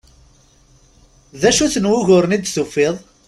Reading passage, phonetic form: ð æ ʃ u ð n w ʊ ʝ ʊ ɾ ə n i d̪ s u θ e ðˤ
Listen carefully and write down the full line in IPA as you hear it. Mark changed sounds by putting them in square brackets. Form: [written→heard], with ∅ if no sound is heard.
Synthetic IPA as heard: ð æ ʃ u [ð→θ] n w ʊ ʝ ʊ ɾ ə n i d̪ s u [θ→f] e ðˤ